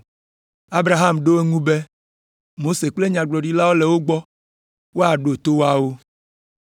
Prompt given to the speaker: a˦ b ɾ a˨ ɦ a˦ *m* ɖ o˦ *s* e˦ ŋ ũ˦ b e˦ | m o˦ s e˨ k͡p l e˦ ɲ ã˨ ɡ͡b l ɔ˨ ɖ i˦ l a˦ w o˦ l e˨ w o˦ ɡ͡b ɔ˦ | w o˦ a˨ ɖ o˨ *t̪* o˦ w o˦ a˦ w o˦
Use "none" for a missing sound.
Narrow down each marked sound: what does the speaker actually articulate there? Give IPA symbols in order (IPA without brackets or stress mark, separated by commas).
m, none, t̪